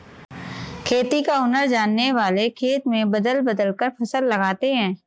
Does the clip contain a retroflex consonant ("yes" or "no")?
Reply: no